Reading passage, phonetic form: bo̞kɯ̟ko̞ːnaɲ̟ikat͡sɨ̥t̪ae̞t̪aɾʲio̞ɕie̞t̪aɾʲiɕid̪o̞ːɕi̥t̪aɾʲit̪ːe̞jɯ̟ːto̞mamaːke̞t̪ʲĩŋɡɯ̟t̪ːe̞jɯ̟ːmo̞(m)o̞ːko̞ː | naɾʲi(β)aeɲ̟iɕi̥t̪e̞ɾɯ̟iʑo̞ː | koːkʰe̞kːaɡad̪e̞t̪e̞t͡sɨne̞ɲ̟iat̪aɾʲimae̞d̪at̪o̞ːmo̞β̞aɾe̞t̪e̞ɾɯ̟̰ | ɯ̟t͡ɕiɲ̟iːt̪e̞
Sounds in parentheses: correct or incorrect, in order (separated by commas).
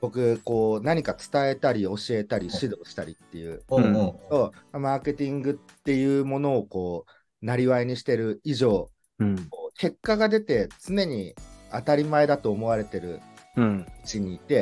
incorrect, correct